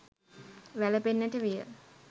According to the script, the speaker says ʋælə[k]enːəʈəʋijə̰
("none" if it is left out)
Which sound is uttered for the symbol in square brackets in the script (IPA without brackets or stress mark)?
p